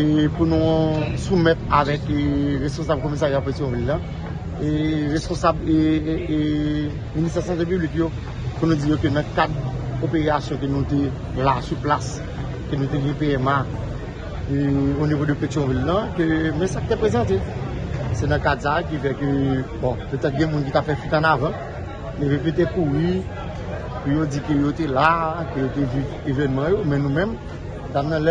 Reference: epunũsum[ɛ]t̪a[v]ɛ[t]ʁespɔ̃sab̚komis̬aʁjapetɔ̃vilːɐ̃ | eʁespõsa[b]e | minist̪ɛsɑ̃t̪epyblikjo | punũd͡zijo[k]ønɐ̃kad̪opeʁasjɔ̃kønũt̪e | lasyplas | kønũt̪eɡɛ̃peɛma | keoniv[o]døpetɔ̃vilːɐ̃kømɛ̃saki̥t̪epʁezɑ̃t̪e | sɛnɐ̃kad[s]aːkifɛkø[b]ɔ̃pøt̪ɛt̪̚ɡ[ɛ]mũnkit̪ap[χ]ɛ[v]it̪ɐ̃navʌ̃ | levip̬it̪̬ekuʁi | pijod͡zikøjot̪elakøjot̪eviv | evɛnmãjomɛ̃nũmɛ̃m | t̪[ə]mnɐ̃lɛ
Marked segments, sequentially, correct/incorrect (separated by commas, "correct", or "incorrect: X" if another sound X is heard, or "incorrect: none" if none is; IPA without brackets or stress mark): correct, correct, incorrect: k, correct, correct, correct, correct, correct, incorrect: ɛ̃, incorrect: f, incorrect: f, incorrect: a